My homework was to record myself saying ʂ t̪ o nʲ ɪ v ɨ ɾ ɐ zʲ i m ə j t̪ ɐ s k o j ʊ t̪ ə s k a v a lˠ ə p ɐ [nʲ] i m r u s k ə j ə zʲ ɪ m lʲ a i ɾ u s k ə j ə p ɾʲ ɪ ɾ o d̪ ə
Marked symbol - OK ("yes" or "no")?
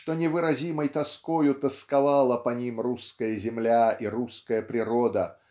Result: yes